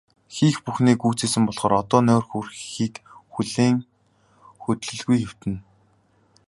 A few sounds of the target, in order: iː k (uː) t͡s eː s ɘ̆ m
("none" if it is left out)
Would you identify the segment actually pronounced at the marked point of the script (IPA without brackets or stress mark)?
uː